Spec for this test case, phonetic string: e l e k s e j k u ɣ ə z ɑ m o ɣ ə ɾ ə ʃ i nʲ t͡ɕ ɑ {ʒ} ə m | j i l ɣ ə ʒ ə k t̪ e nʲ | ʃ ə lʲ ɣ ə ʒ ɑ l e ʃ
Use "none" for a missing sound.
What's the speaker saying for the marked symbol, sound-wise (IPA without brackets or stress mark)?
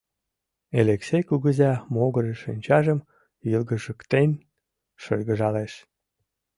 ʒ